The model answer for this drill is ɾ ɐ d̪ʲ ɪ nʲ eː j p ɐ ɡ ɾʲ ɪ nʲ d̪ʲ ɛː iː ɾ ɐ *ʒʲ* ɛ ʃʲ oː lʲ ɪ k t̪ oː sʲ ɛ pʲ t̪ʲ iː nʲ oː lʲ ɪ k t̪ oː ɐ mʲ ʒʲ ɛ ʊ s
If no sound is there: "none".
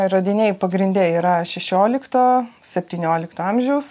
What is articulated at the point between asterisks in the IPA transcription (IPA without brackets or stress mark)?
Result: ʃʲ